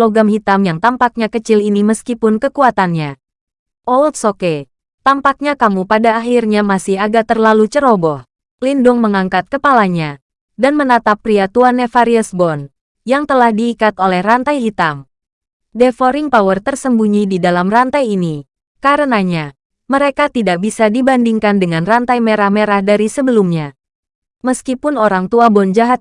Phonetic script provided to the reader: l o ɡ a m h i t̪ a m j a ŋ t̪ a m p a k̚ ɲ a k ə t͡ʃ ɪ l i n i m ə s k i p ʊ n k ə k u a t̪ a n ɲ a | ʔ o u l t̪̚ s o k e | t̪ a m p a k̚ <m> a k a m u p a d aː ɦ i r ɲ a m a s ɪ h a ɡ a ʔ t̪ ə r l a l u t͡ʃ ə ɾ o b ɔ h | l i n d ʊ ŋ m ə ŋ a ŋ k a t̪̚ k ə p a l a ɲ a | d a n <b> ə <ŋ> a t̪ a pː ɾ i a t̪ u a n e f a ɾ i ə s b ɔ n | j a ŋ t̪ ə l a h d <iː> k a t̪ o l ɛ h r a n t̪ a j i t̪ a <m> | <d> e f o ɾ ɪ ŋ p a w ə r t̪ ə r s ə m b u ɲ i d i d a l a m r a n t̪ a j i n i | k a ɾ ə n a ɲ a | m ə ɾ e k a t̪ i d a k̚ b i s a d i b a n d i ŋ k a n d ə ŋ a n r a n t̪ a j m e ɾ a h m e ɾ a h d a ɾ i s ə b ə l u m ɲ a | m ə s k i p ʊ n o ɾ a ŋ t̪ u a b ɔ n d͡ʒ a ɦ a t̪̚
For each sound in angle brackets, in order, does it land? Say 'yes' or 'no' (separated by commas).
no, no, no, yes, yes, yes